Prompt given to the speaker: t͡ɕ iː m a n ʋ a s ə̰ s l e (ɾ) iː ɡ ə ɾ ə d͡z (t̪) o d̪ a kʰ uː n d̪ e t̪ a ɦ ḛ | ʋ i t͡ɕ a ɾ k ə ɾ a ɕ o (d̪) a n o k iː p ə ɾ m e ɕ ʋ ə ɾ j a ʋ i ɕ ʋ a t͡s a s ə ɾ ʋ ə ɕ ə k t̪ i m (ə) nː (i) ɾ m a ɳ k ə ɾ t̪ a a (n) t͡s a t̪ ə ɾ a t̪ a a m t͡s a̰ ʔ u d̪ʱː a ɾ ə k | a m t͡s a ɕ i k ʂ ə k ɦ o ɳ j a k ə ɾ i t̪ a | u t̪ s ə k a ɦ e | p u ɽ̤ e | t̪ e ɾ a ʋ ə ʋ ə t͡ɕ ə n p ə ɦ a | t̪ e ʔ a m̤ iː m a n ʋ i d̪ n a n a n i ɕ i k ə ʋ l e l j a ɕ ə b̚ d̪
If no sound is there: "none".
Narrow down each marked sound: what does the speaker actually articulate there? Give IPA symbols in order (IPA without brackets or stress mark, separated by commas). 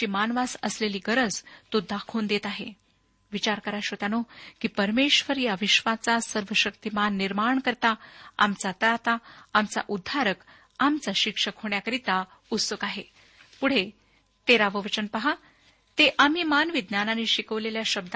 l, t̪, t̪, a, i, m